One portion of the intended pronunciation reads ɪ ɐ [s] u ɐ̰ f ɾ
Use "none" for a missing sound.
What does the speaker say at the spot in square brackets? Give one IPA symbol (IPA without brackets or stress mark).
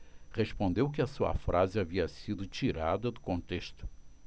s